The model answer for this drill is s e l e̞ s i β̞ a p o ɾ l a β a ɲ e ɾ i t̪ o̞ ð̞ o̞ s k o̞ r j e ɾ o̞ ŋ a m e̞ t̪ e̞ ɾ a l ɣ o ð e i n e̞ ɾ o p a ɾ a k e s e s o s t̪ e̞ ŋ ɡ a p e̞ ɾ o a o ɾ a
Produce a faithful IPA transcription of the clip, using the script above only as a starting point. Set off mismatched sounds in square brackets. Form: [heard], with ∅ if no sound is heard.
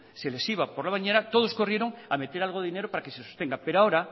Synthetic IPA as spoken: s e l e̞ s i β̞ a p o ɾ l a β a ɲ e ɾ [a] t̪ o̞ ð̞ o̞ s k o̞ r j e ɾ o̞ ŋ a m e̞ t̪ e̞ ɾ a l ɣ o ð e i n e̞ ɾ o p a ɾ a k e s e s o s t̪ e̞ ŋ ɡ a p e̞ ɾ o a o ɾ a